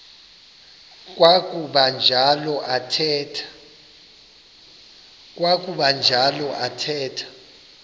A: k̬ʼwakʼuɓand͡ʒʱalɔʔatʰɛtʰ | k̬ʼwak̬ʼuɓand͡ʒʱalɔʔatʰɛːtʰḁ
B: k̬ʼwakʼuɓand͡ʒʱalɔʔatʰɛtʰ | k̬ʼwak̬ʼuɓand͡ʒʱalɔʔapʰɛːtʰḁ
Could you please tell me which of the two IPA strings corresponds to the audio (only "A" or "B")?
A